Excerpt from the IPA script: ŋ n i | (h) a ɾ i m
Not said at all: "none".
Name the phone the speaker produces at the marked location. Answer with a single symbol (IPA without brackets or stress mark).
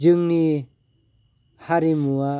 h